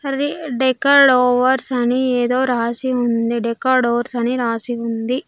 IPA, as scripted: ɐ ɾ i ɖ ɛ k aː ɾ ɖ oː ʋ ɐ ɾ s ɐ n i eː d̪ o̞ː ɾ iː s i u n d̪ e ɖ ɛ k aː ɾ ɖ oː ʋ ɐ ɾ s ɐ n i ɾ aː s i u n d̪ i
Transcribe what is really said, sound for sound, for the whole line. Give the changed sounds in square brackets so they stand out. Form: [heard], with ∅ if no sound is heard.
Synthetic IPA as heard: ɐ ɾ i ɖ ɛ k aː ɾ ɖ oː ʋ ɐ ɾ s ɐ n i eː d̪ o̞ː ɾ [aː] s i u n d̪ [i] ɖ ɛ k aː ɾ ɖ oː ʋ ɐ ɾ s ɐ n i ɾ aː s i u n d̪ i